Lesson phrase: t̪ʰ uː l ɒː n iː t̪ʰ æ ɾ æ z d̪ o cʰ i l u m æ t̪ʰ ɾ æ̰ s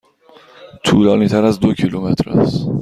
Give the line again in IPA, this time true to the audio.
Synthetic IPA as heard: t̪ʰ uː l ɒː n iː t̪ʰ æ ɾ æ z d̪ o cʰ i l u m e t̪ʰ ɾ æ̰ s

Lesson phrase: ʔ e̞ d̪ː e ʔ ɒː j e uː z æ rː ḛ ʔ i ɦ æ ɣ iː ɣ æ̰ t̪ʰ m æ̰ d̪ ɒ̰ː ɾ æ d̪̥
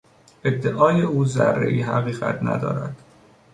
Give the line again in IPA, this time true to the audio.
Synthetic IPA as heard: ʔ e̞ d̪ː e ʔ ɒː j e uː z æ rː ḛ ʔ i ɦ æ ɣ iː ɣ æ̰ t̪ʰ n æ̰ d̪ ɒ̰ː ɾ æ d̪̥

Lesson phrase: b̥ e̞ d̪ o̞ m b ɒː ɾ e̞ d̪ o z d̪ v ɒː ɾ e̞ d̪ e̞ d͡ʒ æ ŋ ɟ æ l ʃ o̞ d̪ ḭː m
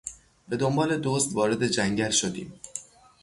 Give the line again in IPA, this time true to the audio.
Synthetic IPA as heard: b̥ e̞ d̪ o̞ m b ɒː l e̞ d̪ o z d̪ v ɒː ɾ e̞ d̪ e̞ d͡ʒ æ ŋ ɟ æ l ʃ o̞ d̪ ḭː m

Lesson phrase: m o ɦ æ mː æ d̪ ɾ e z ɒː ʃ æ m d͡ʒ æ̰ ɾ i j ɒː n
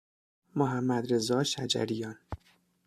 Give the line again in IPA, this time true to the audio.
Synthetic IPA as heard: m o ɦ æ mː æ d̪ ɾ e z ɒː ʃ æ d͡ʒ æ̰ ɾ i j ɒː n

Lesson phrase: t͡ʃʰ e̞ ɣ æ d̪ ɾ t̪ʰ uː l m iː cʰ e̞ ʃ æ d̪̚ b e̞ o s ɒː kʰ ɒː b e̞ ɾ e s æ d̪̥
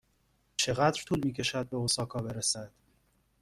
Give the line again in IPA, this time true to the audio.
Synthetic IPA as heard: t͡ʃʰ e̞ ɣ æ d̪ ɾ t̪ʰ uː l m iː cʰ e̞ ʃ æ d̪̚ b e̞ o s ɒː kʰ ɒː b e̞ ɾ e s æ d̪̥

